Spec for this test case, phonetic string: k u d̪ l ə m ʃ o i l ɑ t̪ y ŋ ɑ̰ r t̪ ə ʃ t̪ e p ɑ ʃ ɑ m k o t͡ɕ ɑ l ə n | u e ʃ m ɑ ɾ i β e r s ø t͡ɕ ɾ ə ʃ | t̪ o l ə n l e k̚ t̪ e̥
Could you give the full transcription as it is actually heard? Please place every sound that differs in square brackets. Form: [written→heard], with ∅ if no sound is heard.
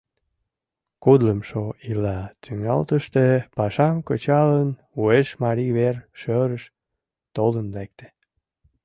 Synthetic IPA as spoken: k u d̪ l ə m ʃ o i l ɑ t̪ y ŋ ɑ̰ [r→l] t̪ ə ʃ t̪ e p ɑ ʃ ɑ m k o t͡ɕ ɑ l ə n | u e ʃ m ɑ ɾ i β e r [s→ʃ] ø [t͡ɕ→∅] ɾ ə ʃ | t̪ o l ə n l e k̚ t̪ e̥